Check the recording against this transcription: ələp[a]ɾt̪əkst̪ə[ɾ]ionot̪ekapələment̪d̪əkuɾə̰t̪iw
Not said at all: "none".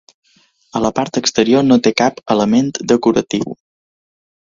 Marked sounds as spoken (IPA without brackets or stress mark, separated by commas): a, ɾ